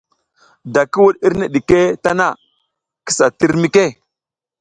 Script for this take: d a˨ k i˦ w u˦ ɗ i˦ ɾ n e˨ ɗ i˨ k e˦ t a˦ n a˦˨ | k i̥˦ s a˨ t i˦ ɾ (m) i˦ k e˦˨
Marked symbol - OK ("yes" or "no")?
yes